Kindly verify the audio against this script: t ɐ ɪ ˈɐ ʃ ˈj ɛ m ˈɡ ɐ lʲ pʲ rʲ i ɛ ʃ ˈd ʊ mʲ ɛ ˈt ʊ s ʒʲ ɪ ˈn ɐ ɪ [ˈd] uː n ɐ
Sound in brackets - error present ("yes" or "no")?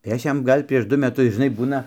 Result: yes